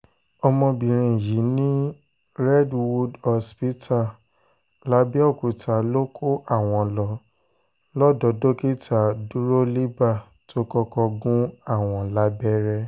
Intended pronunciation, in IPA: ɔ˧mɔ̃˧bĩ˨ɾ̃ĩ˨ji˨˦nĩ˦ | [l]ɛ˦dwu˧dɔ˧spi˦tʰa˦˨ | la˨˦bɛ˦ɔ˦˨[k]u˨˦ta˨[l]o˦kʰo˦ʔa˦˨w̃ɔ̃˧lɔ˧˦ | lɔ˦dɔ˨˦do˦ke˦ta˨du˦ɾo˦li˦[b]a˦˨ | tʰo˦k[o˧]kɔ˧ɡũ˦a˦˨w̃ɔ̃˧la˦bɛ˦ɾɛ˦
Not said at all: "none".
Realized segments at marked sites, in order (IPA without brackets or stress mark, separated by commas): ɾ, k, l, b, ɔ˧